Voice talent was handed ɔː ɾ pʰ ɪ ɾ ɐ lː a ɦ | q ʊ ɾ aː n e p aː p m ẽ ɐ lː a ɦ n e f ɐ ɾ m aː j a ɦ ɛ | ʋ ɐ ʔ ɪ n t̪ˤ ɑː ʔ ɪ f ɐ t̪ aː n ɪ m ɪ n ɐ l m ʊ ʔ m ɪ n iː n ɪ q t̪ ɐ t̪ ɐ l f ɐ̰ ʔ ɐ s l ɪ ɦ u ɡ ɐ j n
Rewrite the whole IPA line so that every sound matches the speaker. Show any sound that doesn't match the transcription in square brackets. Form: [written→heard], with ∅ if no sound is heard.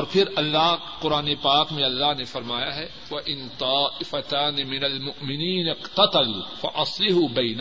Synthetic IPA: ɔː ɾ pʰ ɪ ɾ ɐ lː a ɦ | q ʊ ɾ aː n e p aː [p→k] m ẽ ɐ lː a ɦ n e f ɐ ɾ m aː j a ɦ ɛ | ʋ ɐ ʔ ɪ n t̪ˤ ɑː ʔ ɪ f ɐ t̪ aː n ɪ m ɪ n ɐ l m ʊ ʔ m ɪ n iː n ɪ q t̪ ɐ t̪ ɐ l f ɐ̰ ʔ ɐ s l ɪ ɦ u [ɡ→b] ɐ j n